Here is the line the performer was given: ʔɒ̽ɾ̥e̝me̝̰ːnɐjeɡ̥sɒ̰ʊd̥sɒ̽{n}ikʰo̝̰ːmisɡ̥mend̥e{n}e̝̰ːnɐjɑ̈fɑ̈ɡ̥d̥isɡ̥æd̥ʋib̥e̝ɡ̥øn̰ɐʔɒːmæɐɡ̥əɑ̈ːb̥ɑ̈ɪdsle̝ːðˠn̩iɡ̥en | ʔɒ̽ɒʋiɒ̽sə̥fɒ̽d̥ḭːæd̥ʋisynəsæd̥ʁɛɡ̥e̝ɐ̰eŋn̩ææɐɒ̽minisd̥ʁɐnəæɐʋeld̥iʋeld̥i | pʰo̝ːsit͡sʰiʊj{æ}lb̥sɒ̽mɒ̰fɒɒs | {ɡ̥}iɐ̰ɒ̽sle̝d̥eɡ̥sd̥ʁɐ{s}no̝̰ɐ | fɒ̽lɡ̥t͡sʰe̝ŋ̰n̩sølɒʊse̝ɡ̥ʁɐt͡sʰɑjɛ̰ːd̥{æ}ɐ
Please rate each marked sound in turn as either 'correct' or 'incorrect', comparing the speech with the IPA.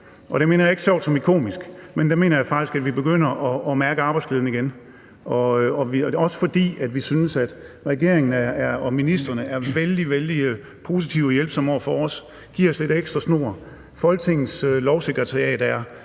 incorrect: m, incorrect: m, incorrect: e, correct, correct, correct

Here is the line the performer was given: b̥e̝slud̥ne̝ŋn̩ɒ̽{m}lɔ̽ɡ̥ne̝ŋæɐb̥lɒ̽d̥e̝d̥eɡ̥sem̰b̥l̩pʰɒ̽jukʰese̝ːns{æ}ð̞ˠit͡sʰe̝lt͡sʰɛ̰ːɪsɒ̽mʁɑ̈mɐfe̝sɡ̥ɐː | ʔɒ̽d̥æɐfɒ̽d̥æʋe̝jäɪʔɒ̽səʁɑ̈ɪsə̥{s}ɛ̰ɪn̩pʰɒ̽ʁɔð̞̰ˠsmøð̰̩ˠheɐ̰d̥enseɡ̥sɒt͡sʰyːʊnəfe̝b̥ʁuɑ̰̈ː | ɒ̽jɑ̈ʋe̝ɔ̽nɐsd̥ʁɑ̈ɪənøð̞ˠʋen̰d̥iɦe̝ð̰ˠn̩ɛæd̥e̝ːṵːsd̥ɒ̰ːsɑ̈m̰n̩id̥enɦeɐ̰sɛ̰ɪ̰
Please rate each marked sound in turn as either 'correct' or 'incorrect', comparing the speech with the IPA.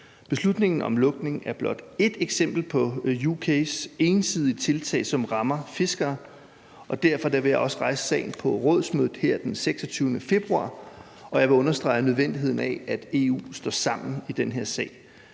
correct, incorrect: i, correct

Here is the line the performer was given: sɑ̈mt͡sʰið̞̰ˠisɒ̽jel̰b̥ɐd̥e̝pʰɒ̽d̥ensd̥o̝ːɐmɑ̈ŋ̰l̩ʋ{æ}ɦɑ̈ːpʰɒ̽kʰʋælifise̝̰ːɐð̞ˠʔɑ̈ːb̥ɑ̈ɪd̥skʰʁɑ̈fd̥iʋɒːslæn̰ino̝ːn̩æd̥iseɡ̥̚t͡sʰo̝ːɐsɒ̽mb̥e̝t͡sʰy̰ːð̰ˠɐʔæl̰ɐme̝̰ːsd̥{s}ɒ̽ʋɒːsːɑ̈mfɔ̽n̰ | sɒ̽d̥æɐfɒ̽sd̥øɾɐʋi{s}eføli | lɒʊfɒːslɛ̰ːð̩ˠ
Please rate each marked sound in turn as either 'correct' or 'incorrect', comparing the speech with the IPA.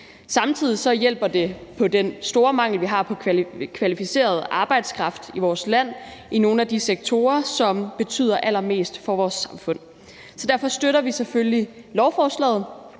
incorrect: i, incorrect: f, correct

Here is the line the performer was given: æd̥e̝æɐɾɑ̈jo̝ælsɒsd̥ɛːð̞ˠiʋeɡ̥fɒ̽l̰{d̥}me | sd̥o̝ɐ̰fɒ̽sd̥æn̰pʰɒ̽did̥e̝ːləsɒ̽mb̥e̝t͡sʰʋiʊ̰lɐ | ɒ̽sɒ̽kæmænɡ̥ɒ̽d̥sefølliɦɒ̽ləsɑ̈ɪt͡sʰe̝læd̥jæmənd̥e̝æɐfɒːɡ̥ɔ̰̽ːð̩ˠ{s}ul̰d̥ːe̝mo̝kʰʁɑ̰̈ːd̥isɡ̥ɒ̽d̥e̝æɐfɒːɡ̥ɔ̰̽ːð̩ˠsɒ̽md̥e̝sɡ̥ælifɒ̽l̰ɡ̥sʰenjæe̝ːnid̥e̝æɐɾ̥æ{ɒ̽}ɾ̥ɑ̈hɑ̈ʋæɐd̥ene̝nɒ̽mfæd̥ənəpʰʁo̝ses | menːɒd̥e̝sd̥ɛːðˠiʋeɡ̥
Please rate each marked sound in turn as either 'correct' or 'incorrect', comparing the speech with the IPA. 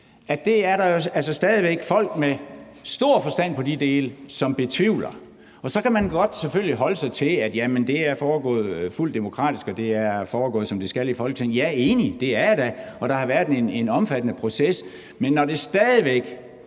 incorrect: ɡ̥, incorrect: f, correct

